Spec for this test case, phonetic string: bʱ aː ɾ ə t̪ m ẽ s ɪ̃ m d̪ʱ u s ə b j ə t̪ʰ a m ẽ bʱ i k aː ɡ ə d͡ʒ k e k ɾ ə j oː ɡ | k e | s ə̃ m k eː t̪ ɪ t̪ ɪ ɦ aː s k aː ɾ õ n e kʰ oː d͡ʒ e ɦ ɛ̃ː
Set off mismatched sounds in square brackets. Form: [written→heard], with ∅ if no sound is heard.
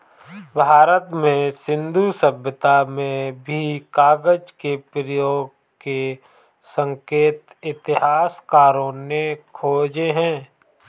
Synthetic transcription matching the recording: bʱ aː ɾ ə t̪ m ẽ s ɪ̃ [m→n] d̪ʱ u s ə b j ə [t̪ʰ→t̪] a m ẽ bʱ i k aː ɡ ə d͡ʒ k e [k→p] ɾ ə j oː ɡ | k e | s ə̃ [m→ŋ] k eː t̪ ɪ t̪ ɪ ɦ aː s k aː ɾ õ n e kʰ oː d͡ʒ e ɦ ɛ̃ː